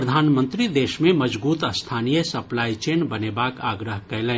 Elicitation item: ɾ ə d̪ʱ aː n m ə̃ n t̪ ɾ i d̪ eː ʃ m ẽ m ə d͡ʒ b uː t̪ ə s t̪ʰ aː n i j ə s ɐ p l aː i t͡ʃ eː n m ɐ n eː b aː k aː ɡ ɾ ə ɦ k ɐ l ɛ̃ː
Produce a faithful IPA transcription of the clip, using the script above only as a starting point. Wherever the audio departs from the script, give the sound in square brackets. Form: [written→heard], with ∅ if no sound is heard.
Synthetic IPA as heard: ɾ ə d̪ʱ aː n m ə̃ n t̪ ɾ i d̪ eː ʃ m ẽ m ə d͡ʒ b uː t̪ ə s t̪ʰ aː n i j ə s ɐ p l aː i t͡ʃ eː n [m→b] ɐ n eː b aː k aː ɡ ɾ ə ɦ k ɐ l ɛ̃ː

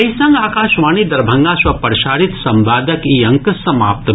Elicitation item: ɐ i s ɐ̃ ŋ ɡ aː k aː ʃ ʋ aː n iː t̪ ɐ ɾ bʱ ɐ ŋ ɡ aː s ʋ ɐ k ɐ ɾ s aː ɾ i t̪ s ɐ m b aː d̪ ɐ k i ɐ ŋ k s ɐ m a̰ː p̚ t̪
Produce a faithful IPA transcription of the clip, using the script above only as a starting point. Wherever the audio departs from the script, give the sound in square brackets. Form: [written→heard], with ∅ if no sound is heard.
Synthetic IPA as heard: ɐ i s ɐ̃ ŋ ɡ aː k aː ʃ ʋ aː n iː [t̪→d̪] ɐ ɾ bʱ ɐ ŋ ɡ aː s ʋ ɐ [k→p] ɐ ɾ [s→ʃ] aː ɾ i t̪ s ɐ m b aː d̪ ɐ k i ɐ ŋ k s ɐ m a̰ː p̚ t̪

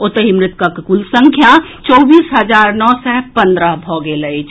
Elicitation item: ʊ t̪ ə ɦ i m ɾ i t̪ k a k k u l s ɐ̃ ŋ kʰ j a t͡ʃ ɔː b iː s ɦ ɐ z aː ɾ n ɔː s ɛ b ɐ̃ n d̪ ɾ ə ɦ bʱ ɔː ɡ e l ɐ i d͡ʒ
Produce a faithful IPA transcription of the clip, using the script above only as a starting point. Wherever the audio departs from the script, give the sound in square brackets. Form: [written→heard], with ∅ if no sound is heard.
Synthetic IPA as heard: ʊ t̪ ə ɦ i m ɾ [i→ɪ] t̪ k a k k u l s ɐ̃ ŋ kʰ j a t͡ʃ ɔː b iː s ɦ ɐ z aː ɾ n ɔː s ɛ [b→p] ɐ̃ n d̪ ɾ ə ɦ bʱ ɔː ɡ e l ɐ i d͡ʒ

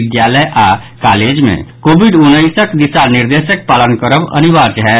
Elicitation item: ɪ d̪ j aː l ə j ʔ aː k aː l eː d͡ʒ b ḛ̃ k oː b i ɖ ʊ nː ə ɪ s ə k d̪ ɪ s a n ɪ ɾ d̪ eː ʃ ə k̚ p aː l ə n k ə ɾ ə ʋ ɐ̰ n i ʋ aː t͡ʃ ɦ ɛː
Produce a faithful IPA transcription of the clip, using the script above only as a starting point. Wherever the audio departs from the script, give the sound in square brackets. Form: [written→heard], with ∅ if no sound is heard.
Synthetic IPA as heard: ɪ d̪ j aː l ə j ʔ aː k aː l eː d͡ʒ [b→m] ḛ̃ k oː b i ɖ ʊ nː ə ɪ s ə k d̪ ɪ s a n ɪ ɾ d̪ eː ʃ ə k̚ p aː l ə n k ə ɾ ə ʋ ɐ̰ n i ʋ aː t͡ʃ ɦ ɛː

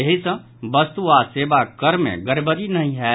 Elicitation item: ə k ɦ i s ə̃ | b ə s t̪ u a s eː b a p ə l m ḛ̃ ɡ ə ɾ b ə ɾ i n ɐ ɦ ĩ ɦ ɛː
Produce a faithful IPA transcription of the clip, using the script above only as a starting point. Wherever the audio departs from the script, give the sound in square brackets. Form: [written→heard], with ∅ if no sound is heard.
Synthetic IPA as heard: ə [k→∅] ɦ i s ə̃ | b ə s t̪ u a s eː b a [p→k] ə [l→ɾ] m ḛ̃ ɡ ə ɾ b ə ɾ i n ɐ ɦ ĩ ɦ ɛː

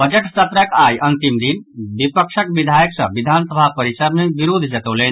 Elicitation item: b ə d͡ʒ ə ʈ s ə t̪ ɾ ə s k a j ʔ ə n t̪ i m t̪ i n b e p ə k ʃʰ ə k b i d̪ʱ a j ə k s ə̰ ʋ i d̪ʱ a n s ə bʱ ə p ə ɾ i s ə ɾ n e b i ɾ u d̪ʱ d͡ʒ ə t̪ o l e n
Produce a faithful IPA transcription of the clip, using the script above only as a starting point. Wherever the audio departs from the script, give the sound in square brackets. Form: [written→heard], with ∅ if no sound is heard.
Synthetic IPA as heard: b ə d͡ʒ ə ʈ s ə t̪ ɾ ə [s→∅] k a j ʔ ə n t̪ i m [t̪→d̪] i n b [e→i] p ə k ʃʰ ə k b i d̪ʱ a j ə k s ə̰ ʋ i d̪ʱ a n s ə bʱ [ə→a] p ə ɾ i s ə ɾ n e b i ɾ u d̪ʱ d͡ʒ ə t̪ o l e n

